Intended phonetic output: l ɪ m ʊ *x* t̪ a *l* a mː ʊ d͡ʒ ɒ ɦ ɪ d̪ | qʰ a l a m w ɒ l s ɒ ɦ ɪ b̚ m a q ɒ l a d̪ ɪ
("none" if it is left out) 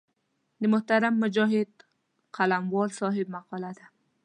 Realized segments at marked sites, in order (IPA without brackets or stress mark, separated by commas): h, ɾ